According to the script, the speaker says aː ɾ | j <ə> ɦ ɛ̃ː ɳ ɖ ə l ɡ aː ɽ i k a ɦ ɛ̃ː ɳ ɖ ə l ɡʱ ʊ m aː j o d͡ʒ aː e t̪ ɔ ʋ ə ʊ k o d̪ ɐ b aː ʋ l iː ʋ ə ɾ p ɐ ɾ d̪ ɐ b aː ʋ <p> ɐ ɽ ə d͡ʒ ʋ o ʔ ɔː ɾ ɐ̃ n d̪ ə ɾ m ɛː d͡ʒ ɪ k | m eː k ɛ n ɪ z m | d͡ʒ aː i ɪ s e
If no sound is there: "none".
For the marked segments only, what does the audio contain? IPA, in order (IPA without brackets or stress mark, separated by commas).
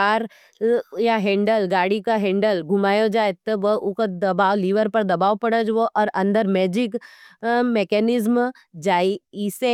a, p